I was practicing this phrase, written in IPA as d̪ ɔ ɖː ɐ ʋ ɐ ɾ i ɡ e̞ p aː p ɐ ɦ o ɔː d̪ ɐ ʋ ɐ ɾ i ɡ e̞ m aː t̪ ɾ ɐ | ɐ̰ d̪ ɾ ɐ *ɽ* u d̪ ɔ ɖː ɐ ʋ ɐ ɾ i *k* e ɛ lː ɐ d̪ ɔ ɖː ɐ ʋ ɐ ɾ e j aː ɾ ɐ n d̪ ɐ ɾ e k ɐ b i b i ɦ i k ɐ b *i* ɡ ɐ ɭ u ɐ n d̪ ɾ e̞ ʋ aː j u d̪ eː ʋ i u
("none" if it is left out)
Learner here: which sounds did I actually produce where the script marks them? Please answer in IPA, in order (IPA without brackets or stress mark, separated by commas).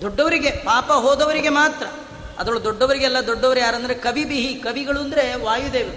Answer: ɭ, ɡ, i